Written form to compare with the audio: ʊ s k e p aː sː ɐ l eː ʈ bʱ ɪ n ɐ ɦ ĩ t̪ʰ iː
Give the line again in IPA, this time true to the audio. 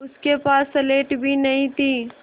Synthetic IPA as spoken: ʊ s k e p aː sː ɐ l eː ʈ bʱ i n ɐ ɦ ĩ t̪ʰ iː